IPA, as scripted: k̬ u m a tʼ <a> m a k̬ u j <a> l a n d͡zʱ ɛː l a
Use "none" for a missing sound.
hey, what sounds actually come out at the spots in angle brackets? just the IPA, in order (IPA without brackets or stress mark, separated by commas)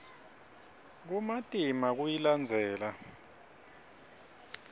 i, i